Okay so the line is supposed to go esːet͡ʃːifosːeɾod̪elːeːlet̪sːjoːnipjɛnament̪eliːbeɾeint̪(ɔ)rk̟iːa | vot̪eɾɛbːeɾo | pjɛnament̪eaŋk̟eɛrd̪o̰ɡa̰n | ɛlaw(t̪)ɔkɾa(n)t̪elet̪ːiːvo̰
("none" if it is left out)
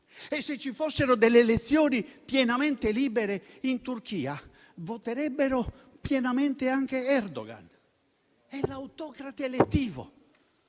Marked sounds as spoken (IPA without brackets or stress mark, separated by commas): u, t̪, none